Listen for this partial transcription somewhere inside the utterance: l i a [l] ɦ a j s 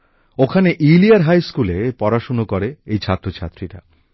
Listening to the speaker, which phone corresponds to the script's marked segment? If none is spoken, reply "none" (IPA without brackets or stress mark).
ɾ